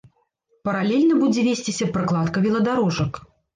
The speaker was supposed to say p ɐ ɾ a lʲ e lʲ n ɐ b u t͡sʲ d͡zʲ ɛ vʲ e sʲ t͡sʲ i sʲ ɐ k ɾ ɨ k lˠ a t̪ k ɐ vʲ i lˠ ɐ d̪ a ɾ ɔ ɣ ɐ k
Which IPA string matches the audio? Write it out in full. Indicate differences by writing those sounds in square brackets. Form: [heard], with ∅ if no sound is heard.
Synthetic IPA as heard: p ɐ ɾ a lʲ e lʲ n ɐ b u [∅] d͡zʲ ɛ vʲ e sʲ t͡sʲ i sʲ ɐ [p] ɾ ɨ k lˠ a t̪ k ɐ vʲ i lˠ ɐ d̪ a ɾ ɔ [ʐ] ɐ k

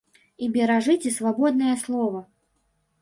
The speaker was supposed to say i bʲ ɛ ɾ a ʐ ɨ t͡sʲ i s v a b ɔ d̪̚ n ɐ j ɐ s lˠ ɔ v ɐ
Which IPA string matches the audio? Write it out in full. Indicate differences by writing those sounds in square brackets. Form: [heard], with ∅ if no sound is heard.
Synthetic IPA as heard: i bʲ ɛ ɾ a ʐ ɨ t͡sʲ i s v a b ɔ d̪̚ n ɐ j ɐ s lˠ ɔ v ɐ

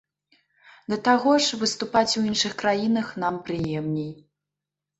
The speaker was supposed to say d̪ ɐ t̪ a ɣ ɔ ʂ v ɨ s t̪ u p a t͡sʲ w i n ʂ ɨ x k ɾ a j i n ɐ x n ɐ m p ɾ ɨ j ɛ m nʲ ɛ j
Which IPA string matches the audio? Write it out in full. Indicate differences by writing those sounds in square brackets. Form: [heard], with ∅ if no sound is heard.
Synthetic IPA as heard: d̪ ɐ t̪ a ɣ ɔ ʂ v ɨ s t̪ u p a t͡sʲ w i n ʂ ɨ x k ɾ a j i n ɐ x n [a] m p ɾ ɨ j ɛ m nʲ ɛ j

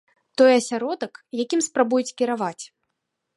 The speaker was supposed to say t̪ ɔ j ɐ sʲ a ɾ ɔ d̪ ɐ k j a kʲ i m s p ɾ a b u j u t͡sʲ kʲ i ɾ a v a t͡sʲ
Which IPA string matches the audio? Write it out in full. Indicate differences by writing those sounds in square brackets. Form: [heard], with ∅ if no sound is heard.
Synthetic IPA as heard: t̪ ɔ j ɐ sʲ a ɾ ɔ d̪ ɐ k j a kʲ i m s p ɾ a b u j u t͡sʲ kʲ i ɾ a v a t͡sʲ

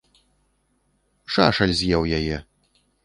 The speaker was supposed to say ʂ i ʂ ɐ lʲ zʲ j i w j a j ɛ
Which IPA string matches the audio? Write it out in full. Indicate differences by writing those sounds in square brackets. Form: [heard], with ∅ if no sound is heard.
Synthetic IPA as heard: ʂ [a] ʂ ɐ lʲ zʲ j [ɛ] w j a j ɛ

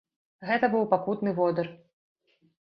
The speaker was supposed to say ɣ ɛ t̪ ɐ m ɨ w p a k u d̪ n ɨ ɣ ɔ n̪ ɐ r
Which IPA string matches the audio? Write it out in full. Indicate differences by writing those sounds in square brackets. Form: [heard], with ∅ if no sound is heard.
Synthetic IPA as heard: ɣ ɛ t̪ ɐ [b] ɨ w p a k u [t̪] n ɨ [v] ɔ [d̪] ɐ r

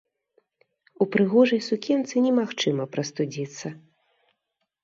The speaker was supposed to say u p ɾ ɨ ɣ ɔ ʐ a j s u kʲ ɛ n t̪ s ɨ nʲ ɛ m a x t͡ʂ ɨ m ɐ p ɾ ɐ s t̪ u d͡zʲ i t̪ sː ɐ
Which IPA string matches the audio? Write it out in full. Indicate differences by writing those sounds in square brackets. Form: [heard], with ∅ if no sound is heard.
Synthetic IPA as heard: u p ɾ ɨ ɣ ɔ ʐ [ɐ] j s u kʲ ɛ n t̪ s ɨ nʲ ɛ m a x t͡ʂ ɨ m ɐ p ɾ ɐ s t̪ u d͡zʲ i t̪ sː ɐ

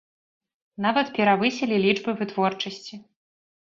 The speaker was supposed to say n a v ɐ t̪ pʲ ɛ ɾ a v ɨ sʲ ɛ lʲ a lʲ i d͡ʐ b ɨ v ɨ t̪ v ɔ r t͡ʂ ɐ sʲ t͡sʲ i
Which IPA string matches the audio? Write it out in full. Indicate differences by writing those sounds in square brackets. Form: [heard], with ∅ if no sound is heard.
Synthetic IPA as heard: n a v ɐ t̪ pʲ ɛ ɾ a v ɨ sʲ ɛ lʲ [i] lʲ i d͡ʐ b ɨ v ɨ t̪ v ɔ r t͡ʂ ɐ sʲ t͡sʲ i

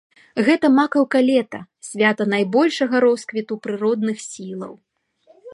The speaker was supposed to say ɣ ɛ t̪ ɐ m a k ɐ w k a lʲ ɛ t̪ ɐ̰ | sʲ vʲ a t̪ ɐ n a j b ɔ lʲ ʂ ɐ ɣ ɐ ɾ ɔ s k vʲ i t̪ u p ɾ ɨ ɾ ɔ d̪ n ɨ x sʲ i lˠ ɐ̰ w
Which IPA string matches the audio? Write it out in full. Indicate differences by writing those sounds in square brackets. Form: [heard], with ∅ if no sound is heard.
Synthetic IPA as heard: ɣ ɛ t̪ ɐ m a k ɐ w k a lʲ ɛ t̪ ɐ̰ | sʲ vʲ a t̪ ɐ n a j b ɔ lʲ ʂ ɐ ɣ ɐ ɾ ɔ s k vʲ i t̪ u p ɾ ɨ ɾ ɔ d̪ n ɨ x sʲ i lˠ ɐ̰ w

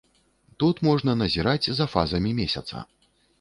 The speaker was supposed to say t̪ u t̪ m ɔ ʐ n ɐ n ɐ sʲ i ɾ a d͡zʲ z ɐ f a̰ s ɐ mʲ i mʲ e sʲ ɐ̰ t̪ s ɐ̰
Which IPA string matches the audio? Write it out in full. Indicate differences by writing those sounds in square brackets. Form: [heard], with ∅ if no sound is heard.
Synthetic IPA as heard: t̪ u t̪ m ɔ ʐ n ɐ n ɐ [zʲ] i ɾ a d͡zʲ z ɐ f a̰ [z] ɐ mʲ i mʲ e sʲ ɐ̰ t̪ s ɐ̰

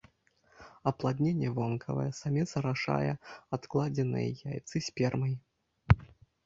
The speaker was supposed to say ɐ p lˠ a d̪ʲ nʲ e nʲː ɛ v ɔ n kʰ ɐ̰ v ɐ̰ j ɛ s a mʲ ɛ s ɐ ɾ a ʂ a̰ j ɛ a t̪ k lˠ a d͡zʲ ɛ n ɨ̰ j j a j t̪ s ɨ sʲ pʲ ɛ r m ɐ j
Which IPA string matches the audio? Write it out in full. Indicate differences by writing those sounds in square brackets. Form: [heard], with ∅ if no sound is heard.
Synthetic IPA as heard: ɐ p lˠ a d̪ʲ nʲ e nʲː ɛ v ɔ n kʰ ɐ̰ v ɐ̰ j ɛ s a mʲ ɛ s ɐ ɾ a ʂ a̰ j ɛ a t̪ k lˠ a d͡zʲ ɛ n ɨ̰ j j a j t̪ s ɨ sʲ pʲ ɛ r m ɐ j

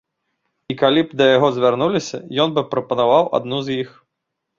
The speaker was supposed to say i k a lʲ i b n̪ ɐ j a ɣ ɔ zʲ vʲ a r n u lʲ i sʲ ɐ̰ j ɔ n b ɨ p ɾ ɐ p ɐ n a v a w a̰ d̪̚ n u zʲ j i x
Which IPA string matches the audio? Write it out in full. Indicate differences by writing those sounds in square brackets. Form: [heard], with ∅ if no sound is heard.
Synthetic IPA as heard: i k a lʲ i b [d̪] ɐ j a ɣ ɔ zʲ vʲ a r n u lʲ i sʲ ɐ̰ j ɔ n b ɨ p ɾ ɐ p ɐ n a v a w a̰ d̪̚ n u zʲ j i x

